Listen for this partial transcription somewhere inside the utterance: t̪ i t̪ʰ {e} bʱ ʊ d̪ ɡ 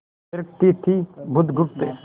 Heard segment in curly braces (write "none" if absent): i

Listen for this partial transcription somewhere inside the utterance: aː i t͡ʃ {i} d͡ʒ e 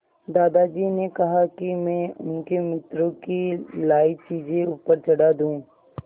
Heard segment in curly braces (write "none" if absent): iː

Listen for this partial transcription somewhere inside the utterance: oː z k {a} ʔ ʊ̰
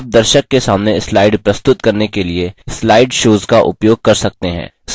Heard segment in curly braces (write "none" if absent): a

